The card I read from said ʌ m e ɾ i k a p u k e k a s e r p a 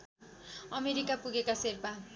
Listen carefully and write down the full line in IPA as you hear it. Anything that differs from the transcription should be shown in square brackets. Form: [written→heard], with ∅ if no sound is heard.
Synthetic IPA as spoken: ʌ m e ɾ i k a p u [k→ɡ] e k a s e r p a